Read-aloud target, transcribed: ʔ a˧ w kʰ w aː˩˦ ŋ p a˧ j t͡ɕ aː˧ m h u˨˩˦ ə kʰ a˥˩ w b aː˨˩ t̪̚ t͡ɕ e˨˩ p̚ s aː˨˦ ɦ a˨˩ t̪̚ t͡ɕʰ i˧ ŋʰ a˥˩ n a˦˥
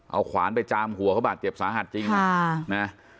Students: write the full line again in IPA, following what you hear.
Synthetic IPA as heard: ʔ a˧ w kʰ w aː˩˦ n p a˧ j t͡ɕ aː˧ m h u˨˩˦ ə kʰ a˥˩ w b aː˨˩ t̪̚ t͡ɕ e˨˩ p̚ s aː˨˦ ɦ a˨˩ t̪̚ t͡ɕ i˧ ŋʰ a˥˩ n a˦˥